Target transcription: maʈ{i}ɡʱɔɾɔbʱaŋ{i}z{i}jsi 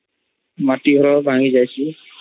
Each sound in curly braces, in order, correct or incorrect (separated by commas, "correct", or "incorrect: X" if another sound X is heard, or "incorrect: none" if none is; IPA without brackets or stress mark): correct, correct, incorrect: a